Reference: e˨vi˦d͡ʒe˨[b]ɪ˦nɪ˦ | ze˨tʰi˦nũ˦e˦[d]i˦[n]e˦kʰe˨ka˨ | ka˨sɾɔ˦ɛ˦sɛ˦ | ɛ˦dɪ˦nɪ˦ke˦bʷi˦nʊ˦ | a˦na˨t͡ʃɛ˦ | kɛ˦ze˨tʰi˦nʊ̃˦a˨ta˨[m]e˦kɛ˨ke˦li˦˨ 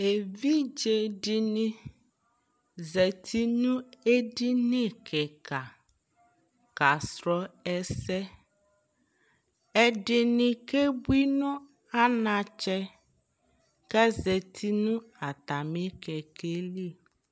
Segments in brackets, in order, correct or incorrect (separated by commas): incorrect, correct, correct, correct